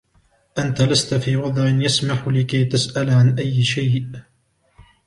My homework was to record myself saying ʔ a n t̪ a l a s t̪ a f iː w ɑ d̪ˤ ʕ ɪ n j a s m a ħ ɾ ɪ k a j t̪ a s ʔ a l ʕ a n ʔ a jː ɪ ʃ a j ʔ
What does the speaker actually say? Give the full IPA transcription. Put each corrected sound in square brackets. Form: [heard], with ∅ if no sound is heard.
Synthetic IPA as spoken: ʔ a n t̪ a l a s t̪ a f iː w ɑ d̪ˤ ʕ ɪ n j a s m a ħ [l] ɪ k a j t̪ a s ʔ a l ʕ a n ʔ a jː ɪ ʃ a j ʔ